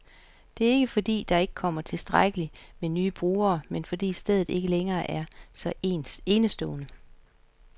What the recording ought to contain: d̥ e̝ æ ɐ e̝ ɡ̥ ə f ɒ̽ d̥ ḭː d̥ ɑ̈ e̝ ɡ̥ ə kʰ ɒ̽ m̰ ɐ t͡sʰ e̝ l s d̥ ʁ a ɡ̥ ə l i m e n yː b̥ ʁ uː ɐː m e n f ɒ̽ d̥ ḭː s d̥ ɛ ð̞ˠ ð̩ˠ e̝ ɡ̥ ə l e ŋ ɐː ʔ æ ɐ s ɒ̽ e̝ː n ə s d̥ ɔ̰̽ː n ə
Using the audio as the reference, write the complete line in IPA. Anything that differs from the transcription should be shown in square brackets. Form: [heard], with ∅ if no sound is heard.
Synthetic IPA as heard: d̥ e̝ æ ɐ e̝ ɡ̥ ə f ɒ̽ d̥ ḭː d̥ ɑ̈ e̝ ɡ̥ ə kʰ ɒ̽ m̰ ɐ t͡sʰ e̝ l s d̥ ʁ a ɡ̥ ə l i m e n yː b̥ ʁ uː ɐː m e n f ɒ̽ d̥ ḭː s d̥ [e] ð̞ˠ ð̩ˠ e̝ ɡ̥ ə l e ŋ ɐː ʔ æ ɐ s ɒ̽ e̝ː n ə s d̥ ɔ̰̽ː n ə